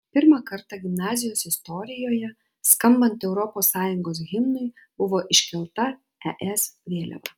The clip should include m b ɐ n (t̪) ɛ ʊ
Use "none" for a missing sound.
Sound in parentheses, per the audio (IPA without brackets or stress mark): t̪